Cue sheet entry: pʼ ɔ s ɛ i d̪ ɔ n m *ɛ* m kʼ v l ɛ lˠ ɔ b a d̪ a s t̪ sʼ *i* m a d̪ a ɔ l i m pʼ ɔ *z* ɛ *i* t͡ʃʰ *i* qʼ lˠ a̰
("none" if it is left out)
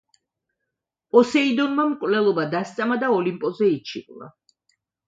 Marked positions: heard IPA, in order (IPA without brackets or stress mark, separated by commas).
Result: a, a, z, i, i